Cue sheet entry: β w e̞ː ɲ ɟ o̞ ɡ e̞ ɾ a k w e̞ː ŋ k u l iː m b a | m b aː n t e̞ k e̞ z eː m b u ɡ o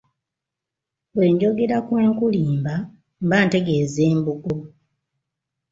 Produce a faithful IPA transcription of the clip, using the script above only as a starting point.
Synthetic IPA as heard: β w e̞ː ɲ ɟ o̞ ɡ e̞ ɾ a k w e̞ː ŋ k u l iː m b a | m b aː n t e̞ ɡ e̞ z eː m b u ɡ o

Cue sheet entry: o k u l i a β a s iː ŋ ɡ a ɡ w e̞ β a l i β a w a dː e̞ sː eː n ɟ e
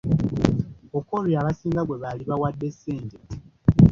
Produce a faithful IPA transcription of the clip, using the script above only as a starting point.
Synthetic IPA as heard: o k o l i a β a s iː ŋ ɡ a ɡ w e̞ β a l i β a w a dː e̞ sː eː ɲ ɟ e

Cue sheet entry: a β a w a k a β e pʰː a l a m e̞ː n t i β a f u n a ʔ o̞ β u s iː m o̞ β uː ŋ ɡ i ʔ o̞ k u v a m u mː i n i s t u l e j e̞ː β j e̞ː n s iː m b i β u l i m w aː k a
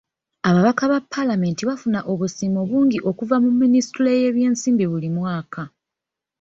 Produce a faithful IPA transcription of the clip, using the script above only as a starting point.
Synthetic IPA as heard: a β a β a k a β a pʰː a l a m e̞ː n t i β a f u n a ʔ o̞ β u s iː m o̞ β uː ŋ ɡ i ʔ o̞ k u v a m u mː i n i s t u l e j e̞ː β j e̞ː n s iː m b i β u l i m w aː k a

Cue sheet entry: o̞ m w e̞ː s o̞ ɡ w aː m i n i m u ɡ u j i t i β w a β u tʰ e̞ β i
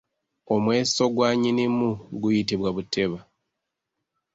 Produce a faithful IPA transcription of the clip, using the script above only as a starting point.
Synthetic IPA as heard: o̞ m w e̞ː s o̞ ɡ w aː ɲ i n i m u ɡ u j i t i β w a β u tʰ e̞ β a

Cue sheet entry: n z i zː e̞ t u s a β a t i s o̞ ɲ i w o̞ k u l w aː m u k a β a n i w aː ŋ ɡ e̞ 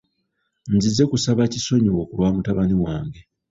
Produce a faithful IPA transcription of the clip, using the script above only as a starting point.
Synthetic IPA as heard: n z i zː e̞ k u s a β a c i s o̞ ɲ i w o̞ k u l w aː m u t a β a n i w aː ŋ ɡ e̞

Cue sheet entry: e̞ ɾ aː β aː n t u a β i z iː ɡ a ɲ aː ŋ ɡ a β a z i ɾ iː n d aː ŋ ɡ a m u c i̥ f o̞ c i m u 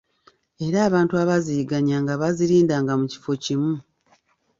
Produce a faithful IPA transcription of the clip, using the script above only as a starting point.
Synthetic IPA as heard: e̞ ɾ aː β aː n t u a β a z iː ɡ a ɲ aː ŋ ɡ a β a z i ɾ iː n d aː ŋ ɡ a m u c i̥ f o̞ c i m u

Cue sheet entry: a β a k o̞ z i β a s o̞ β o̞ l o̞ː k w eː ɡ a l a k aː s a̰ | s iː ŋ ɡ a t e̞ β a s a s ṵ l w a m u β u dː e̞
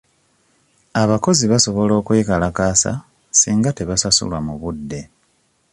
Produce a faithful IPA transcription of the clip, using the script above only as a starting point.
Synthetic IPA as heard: a β a k o̞ z i β a s o̞ β o̞ l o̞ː k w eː k a l a k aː s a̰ | s iː ŋ ɡ a t e̞ β a s a s ṵ l w a m u β u dː e̞

